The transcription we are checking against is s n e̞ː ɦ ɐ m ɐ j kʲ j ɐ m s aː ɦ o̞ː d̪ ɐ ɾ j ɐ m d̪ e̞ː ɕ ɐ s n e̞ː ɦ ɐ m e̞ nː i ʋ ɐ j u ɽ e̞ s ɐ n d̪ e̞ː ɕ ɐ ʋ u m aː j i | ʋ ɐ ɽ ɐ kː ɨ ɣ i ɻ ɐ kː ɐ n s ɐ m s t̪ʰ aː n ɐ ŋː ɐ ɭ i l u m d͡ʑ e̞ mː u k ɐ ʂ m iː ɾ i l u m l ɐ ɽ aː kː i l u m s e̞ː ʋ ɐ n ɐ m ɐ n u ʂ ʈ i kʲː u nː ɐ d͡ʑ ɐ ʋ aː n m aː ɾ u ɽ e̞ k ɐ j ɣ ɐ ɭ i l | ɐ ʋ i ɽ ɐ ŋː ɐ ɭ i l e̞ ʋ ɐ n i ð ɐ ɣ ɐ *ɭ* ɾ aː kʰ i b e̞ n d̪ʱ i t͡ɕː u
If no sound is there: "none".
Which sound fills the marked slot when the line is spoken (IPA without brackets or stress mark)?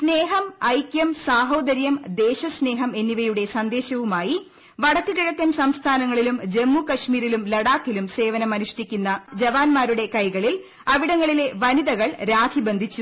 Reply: ɭ